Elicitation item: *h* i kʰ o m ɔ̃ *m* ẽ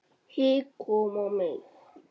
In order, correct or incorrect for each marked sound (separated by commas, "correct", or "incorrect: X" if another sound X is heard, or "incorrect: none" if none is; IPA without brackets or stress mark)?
correct, correct